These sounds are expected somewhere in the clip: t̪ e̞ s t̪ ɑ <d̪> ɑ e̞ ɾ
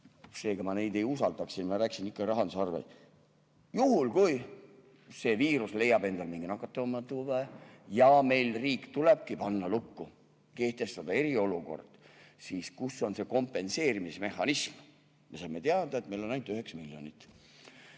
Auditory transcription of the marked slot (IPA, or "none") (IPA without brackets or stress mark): d̪